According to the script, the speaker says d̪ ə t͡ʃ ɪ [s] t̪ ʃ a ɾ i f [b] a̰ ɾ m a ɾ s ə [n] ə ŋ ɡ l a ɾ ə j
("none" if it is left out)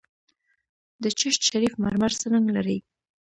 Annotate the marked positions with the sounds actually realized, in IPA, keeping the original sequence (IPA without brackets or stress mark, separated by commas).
ʃ, m, n